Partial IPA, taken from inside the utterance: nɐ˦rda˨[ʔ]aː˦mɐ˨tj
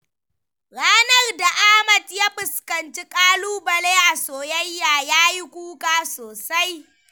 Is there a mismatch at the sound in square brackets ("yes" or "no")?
no